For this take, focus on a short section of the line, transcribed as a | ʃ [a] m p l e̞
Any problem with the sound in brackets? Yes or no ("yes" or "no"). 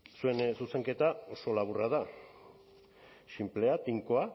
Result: yes